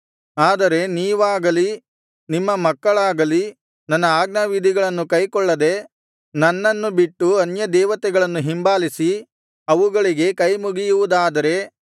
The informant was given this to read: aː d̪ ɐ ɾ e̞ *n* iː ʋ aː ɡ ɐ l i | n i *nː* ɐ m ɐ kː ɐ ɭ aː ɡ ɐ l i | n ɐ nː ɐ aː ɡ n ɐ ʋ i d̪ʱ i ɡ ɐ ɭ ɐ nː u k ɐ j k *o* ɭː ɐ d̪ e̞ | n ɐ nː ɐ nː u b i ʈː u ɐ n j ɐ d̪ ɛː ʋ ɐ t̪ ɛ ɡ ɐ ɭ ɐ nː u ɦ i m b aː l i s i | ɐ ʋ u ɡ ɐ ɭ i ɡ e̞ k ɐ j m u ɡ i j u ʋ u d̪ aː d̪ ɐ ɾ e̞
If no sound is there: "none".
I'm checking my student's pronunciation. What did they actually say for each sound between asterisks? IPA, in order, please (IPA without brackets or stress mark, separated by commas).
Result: n, mː, ɔ